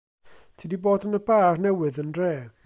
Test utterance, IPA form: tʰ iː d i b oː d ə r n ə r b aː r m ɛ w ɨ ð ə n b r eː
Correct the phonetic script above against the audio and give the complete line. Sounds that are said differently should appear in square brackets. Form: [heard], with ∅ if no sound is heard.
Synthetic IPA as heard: tʰ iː d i b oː d ə [∅] n ə [∅] b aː r [n] ɛ w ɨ ð ə n [d] r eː

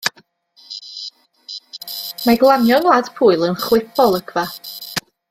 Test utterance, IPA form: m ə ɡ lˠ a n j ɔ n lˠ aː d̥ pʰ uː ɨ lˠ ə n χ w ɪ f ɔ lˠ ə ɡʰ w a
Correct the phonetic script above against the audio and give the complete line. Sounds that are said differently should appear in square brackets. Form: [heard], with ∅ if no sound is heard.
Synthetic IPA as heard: m [a] ɡ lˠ a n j ɔ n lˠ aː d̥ pʰ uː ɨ lˠ ə n χ w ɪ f ɔ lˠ ə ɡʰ [v] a

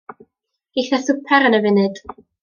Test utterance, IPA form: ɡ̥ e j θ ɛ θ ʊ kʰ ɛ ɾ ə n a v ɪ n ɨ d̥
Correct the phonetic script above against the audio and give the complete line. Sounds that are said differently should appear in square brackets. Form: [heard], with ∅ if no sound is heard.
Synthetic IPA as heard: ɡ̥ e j θ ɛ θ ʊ [pʰ] ɛ ɾ ə n [ə] v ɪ n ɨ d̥

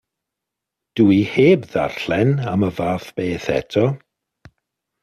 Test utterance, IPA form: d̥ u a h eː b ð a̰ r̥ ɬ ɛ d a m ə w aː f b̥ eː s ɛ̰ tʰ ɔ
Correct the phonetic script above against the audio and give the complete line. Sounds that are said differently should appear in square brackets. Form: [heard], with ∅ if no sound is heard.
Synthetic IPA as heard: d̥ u [i] h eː b ð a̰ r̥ ɬ ɛ [n] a m ə [v] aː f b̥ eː [θ] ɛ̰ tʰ ɔ

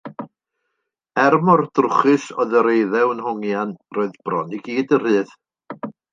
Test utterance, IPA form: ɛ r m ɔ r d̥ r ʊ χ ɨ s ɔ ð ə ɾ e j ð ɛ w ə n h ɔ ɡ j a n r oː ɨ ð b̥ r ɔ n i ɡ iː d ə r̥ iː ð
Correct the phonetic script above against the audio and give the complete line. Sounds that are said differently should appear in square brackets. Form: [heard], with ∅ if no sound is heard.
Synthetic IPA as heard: ɛ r m ɔ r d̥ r ʊ χ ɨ s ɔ ð ə ɾ e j ð ɛ w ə n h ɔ [ŋ] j a n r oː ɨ ð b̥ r ɔ n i ɡ iː d ə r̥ [ɨː] ð

